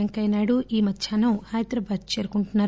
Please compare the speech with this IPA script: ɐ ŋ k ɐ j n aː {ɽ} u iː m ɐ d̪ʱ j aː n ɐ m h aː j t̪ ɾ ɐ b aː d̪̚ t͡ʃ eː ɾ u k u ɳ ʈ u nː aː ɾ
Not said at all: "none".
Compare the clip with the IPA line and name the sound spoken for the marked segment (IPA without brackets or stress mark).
ɽ